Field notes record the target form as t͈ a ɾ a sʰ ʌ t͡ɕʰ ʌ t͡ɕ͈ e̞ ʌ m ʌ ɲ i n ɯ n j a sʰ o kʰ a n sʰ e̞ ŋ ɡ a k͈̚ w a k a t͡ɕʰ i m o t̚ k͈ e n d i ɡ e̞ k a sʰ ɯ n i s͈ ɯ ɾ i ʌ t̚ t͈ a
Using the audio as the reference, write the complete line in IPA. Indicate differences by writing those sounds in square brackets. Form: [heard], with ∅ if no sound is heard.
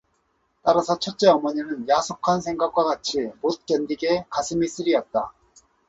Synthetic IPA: t͈ a ɾ a sʰ ʌ t͡ɕʰ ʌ t͡ɕ͈ e̞ ʌ m ʌ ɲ i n ɯ n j a sʰ o kʰ a n sʰ e̞ ŋ ɡ a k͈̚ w a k a t͡ɕʰ i m o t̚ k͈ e n d i ɡ e̞ k a sʰ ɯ [m] i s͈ ɯ ɾ i ʌ t̚ t͈ a